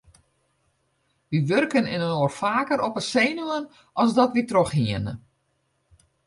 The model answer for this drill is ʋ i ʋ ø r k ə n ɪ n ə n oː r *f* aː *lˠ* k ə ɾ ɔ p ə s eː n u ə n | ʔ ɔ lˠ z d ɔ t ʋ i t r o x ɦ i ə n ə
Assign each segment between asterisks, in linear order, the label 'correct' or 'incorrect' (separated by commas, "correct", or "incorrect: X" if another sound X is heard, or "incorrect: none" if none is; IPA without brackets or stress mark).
correct, incorrect: none